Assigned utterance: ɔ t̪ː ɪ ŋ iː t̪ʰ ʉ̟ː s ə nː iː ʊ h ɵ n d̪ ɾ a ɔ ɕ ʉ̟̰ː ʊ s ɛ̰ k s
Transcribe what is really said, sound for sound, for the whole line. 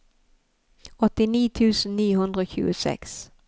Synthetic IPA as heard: ɔ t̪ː ɪ n iː t̪ʰ ʉ̟ː s ə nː iː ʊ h ɵ n d̪ ɾ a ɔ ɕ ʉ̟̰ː ʊ s ɛ̰ k s